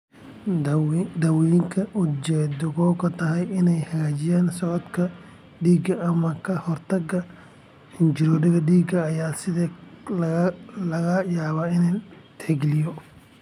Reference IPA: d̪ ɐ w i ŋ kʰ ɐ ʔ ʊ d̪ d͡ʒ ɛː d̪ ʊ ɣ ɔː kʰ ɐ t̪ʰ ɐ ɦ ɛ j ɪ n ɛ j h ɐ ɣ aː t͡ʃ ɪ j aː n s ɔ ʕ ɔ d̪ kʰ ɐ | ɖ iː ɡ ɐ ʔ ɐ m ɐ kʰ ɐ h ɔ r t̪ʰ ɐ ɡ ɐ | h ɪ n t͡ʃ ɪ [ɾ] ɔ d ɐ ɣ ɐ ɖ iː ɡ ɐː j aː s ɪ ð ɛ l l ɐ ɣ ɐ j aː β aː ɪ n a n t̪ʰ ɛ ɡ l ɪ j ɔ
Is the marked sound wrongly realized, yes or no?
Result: no